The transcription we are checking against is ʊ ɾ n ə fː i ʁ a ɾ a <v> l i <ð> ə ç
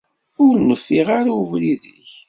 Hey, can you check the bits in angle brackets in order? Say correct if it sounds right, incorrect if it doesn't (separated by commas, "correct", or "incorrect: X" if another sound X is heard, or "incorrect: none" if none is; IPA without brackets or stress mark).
correct, correct